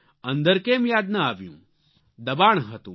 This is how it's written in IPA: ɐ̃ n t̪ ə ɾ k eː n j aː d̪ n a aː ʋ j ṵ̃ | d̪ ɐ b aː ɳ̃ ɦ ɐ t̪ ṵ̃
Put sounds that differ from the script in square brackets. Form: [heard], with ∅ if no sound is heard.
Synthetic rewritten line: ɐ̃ n [d̪] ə ɾ k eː [m] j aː d̪ n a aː ʋ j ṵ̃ | d̪ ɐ b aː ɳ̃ ɦ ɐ t̪ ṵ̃